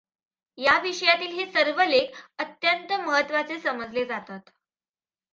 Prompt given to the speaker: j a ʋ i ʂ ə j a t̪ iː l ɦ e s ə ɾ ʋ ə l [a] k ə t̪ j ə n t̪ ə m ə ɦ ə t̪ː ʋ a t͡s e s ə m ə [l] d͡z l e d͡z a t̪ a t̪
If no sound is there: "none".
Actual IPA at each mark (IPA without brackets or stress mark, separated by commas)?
e, none